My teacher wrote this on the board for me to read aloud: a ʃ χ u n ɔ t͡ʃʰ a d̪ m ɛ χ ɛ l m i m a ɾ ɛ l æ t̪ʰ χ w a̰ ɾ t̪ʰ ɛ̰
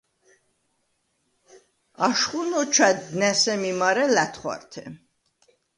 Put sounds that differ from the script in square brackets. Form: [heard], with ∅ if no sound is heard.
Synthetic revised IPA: a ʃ χ u n ɔ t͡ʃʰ a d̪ [n] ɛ [s] ɛ [∅] m i m a ɾ ɛ l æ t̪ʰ χ w a̰ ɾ t̪ʰ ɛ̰